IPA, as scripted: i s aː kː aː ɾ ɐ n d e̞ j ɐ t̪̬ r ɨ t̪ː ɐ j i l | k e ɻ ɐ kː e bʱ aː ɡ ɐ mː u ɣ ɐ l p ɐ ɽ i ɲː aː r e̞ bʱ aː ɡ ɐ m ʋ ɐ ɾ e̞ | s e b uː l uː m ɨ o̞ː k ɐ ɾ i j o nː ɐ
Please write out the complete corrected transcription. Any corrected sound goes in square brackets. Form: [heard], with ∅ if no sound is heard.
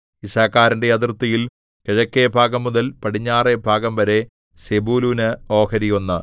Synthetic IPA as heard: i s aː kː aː ɾ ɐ n d e̞ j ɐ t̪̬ r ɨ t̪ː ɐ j i l | k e ɻ ɐ kː e bʱ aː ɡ ɐ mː u [ð] ɐ l p ɐ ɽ i ɲː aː r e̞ bʱ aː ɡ ɐ m ʋ ɐ ɾ e̞ | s e b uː l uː [n] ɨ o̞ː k ɐ ɾ i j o nː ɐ